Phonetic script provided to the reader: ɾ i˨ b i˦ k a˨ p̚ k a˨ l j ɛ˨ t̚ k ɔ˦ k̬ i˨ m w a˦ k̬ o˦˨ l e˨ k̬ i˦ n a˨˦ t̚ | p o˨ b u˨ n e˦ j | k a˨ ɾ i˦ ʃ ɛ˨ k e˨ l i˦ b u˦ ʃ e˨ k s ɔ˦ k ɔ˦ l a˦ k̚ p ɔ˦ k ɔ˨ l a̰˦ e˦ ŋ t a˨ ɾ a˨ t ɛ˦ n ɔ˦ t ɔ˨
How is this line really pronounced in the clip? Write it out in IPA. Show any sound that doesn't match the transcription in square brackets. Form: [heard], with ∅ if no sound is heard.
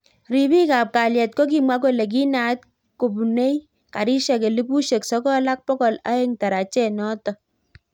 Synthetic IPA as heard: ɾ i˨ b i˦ k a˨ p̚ k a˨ l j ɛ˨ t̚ k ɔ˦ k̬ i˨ m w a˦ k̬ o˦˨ l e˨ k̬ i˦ n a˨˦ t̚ | [k] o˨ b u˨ n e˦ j | k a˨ ɾ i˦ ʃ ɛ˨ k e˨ l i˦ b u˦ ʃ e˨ k s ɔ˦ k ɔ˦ l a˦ k̚ p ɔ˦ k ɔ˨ l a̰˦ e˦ ŋ t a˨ ɾ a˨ [t͡ʃ] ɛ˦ n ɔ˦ t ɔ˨